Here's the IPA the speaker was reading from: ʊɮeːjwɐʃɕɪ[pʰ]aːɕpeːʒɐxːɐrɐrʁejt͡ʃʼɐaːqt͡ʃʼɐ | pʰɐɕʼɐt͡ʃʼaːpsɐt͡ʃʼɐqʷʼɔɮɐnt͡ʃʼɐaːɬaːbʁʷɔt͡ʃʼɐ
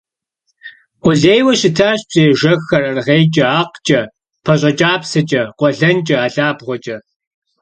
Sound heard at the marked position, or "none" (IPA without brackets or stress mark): tʰ